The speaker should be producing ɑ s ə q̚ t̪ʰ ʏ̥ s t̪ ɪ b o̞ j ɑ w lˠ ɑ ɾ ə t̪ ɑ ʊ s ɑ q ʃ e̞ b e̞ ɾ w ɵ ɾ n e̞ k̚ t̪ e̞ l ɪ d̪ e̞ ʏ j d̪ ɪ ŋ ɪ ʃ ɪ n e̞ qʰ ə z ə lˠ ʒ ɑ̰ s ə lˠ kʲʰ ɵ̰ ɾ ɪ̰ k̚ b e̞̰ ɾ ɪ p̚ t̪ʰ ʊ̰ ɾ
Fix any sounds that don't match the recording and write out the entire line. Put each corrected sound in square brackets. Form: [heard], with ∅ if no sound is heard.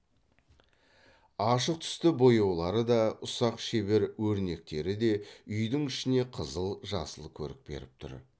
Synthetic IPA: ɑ [ʃ] ə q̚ t̪ʰ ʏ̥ s t̪ ɪ b o̞ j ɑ w lˠ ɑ ɾ ə [d̪] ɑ ʊ s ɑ q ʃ e̞ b e̞ ɾ w ɵ ɾ n e̞ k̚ t̪ e̞ [ɾ] ɪ d̪ e̞ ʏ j d̪ ɪ ŋ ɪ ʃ ɪ n e̞ qʰ ə z ə lˠ ʒ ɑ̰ s ə lˠ kʲʰ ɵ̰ ɾ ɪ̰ k̚ b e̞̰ ɾ ɪ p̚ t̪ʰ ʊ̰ ɾ